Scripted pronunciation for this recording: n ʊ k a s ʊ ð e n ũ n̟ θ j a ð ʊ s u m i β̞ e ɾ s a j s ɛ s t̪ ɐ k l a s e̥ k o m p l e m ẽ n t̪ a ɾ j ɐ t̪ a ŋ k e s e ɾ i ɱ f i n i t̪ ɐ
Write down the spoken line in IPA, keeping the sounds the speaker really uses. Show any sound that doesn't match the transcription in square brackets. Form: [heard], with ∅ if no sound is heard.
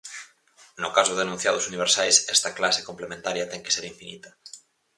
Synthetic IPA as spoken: n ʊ k a s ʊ ð e n ũ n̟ θ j a ð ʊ s u [n] i β̞ e ɾ s a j s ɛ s t̪ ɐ k l a s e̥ k o m p l e m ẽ n t̪ a ɾ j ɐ t̪ [ɛ] ŋ k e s e ɾ i ɱ f i n i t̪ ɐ